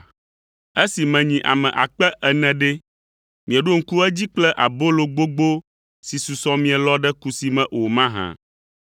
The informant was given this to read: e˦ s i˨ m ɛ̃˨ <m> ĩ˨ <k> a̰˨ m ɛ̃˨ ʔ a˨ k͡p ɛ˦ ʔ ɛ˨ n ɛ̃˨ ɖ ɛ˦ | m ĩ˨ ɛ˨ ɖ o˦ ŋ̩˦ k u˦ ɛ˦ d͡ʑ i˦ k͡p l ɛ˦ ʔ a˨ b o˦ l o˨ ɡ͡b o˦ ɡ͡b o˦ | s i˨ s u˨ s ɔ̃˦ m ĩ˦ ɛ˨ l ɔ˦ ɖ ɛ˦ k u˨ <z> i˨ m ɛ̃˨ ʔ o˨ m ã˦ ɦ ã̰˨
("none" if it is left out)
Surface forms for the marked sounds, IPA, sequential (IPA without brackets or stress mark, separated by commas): ɲ, ʔ, s